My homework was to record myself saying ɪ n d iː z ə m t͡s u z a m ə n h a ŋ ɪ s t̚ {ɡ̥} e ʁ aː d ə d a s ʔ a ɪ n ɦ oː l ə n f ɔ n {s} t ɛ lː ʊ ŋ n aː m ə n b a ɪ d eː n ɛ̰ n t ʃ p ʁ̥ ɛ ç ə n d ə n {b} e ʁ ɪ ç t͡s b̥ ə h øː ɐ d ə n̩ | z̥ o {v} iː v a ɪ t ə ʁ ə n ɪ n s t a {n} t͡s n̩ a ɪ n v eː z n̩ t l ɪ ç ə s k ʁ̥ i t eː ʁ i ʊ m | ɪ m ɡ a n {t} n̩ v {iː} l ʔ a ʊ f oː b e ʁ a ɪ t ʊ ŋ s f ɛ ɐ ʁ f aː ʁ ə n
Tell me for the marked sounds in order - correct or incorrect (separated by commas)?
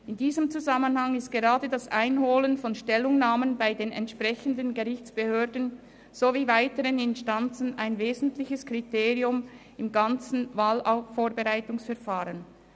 correct, incorrect, incorrect, correct, correct, incorrect, incorrect